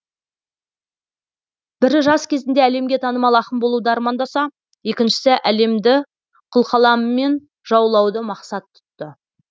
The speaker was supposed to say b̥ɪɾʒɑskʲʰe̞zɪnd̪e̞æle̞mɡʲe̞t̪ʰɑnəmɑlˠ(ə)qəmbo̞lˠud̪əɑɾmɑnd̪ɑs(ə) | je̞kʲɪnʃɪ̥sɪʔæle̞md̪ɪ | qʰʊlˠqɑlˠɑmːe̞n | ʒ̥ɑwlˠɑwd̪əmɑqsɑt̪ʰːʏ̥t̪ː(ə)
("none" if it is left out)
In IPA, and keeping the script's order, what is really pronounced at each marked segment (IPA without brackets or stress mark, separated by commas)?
ɑ, ɑ, ə